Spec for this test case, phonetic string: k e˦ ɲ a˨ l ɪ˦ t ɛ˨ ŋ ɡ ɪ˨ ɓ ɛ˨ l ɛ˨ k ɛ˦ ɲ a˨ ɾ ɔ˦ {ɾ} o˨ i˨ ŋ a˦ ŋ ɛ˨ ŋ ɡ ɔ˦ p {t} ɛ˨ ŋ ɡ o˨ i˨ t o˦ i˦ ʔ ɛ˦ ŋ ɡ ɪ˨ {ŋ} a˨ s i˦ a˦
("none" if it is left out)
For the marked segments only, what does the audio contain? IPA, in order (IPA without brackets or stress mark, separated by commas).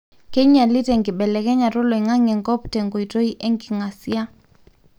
l, t, ŋ